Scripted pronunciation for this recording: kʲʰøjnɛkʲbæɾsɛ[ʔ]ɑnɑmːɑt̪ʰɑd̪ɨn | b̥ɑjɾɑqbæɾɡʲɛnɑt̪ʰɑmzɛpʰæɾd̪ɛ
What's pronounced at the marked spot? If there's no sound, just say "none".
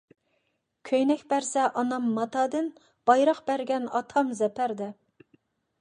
ʔ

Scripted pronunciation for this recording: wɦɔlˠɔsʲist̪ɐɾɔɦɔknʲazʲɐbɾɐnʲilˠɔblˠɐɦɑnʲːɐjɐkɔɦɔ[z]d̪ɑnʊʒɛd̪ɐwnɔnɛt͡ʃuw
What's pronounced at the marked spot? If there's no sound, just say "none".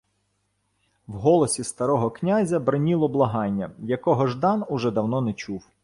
ʒ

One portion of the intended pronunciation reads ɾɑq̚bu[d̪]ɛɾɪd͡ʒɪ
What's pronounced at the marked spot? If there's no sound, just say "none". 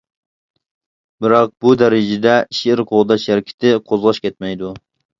d̪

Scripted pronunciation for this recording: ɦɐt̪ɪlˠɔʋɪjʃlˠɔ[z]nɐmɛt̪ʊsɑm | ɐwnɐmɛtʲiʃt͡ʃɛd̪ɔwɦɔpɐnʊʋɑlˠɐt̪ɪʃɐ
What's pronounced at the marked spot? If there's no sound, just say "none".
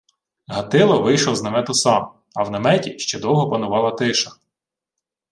z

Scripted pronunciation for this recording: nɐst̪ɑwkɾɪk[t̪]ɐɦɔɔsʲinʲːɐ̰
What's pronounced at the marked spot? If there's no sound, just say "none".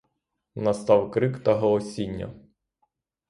t̪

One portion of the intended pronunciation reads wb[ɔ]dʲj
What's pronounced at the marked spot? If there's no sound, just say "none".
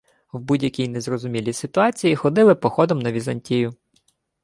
u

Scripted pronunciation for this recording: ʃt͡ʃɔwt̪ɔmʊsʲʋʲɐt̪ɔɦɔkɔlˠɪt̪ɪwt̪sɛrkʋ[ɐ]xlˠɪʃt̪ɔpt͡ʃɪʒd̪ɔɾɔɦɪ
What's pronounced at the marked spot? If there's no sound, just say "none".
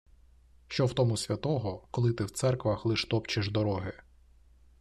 ɐ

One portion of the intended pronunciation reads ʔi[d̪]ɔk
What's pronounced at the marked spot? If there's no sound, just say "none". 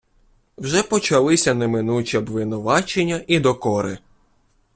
d̪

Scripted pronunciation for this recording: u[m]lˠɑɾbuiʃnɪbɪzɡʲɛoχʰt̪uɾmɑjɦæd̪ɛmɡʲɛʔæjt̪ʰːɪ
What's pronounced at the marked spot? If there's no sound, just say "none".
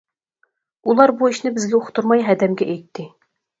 none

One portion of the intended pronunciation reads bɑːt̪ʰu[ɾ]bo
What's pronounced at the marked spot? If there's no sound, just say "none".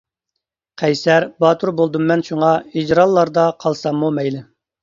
ɾ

